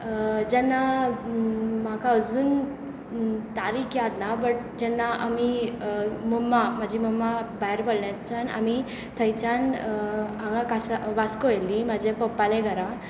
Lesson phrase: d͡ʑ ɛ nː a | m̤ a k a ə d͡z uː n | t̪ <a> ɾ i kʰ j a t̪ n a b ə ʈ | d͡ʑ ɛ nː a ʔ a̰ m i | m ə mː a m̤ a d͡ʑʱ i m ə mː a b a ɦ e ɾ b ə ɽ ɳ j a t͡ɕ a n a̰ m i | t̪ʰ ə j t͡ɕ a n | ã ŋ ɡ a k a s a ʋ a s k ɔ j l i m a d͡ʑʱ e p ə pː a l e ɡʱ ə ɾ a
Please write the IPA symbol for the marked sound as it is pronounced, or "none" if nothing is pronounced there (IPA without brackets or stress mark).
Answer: a